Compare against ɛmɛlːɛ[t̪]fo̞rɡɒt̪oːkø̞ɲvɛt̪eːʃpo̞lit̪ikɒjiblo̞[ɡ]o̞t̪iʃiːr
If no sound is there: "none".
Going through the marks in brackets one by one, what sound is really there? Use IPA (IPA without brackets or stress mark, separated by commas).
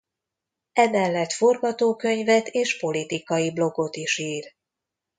t̪, ɡ